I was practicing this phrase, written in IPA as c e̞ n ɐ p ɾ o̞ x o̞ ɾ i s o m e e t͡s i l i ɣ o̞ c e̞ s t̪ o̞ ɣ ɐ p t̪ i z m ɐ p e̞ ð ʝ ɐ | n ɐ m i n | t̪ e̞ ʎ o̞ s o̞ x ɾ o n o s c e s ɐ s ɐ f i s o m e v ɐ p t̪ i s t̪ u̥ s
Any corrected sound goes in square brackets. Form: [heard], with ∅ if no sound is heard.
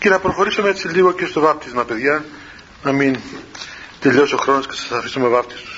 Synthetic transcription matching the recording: c e̞ n ɐ p ɾ o̞ x o̞ ɾ i s o m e e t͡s i l i ɣ o̞ c e̞ s t̪ o̞ [v] ɐ p t̪ i z m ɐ p e̞ ð ʝ ɐ | n ɐ m i n | t̪ e̞ ʎ o̞ s o̞ x ɾ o n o s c e s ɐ s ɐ f i s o m e v ɐ p t̪ i s t̪ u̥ s